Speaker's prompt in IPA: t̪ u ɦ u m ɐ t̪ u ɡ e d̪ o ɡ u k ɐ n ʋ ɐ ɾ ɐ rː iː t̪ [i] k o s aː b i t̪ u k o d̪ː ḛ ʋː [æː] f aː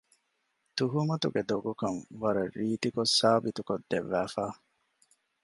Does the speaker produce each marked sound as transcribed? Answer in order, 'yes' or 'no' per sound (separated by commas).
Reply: yes, yes